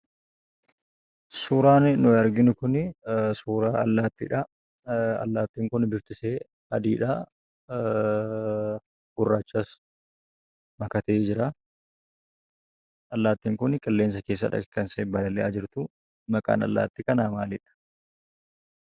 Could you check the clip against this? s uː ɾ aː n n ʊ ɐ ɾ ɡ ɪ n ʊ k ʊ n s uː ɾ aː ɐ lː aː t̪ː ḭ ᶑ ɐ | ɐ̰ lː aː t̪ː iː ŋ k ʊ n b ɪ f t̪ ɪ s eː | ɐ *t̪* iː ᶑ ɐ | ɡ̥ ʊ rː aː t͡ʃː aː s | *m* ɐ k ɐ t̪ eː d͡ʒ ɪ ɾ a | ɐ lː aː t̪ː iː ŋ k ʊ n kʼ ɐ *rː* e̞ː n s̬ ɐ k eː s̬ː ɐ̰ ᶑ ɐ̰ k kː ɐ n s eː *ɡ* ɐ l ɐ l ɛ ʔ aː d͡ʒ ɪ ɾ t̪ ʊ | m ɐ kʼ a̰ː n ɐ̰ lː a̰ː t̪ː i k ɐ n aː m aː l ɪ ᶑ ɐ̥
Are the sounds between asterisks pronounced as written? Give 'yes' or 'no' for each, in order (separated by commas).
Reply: no, yes, no, no